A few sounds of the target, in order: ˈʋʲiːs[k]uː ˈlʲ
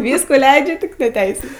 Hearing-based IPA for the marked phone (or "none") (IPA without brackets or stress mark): k